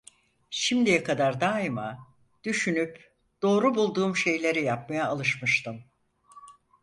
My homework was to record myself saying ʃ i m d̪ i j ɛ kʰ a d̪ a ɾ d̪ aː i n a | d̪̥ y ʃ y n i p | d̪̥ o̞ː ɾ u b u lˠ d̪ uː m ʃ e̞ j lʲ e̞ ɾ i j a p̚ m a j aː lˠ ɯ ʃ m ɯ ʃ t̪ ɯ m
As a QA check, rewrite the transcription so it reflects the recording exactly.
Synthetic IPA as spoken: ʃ i m d̪ i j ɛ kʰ a d̪ a ɾ d̪ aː i m a | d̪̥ y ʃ y n y p | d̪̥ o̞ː ɾ u b u lˠ d̪ uː m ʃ e̞ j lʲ e̞ ɾ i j a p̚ m a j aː lˠ ɯ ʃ m ɯ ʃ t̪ ɯ m